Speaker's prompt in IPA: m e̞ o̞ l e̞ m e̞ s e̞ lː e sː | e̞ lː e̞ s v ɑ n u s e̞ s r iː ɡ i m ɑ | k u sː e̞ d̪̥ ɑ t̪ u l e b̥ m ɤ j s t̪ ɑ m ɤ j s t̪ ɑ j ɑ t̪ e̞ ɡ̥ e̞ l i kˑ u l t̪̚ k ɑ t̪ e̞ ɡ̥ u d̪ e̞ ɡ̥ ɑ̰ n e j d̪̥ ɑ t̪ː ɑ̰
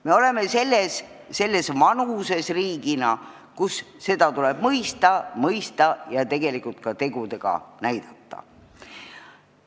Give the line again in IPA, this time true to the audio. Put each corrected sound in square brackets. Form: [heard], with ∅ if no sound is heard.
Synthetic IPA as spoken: m e̞ o̞ l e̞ m e̞ s e̞ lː e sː | e̞ lː e̞ s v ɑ n u s e̞ s r iː ɡ i [n] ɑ | k u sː e̞ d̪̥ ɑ t̪ u l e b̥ m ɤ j s t̪ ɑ m ɤ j s t̪ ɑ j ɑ t̪ e̞ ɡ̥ e̞ l i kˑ u l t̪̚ k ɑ t̪ e̞ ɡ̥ u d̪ e̞ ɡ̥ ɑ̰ n [æ] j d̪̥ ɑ t̪ː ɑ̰